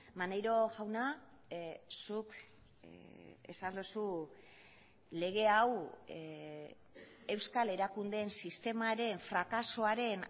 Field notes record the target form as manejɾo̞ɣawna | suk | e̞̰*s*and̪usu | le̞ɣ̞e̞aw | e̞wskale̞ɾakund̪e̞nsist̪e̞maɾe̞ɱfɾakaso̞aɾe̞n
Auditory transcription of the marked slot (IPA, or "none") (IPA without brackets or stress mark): s